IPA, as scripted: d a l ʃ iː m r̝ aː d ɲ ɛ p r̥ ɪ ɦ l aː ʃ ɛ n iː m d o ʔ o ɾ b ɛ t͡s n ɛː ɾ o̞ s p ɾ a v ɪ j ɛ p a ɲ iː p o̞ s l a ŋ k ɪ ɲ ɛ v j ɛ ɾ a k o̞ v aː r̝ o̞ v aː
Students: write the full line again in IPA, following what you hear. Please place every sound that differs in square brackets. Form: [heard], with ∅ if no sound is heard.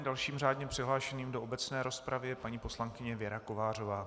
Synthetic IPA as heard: d a l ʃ iː m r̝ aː d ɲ ɛ p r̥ ɪ ɦ l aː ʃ ɛ n iː m d o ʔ o [∅] b ɛ t͡s n ɛː ɾ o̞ s p ɾ a v ɪ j ɛ p a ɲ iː p o̞ s l a ŋ k ɪ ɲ ɛ v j ɛ ɾ a k o̞ v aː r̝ o̞ v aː